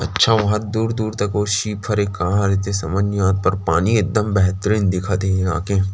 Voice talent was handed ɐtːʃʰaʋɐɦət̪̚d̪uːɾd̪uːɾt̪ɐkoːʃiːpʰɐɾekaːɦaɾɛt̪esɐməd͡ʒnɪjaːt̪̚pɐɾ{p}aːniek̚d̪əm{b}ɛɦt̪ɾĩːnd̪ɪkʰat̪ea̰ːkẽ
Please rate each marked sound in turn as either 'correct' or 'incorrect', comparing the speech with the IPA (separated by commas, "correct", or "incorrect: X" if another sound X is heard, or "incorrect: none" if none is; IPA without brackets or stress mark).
correct, correct